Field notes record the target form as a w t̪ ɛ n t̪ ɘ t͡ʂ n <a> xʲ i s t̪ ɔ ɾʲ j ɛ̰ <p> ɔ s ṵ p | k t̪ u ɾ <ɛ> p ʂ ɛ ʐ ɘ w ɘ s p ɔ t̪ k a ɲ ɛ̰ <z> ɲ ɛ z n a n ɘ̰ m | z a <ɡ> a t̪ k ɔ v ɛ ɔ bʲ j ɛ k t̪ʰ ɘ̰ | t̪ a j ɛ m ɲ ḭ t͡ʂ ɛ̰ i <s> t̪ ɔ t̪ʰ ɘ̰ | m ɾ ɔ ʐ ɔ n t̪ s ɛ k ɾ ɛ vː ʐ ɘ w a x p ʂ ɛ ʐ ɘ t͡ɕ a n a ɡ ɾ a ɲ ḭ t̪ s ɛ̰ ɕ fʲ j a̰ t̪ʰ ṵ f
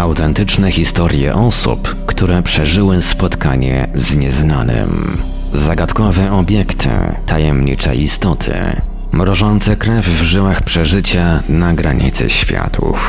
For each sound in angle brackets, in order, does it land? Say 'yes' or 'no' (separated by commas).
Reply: no, no, yes, yes, yes, yes